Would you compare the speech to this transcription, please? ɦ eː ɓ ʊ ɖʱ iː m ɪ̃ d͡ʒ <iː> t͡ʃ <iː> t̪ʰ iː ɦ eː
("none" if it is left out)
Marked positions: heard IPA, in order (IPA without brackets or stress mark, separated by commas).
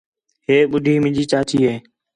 iː, aː